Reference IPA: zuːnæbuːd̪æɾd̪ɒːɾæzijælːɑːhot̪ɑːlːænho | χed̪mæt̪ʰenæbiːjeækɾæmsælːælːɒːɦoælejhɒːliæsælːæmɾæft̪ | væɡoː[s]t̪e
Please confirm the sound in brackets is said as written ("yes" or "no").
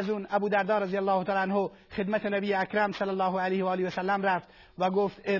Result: no